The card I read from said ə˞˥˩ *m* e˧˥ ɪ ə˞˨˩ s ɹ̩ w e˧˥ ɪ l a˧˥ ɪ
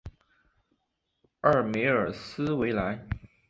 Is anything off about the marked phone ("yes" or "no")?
no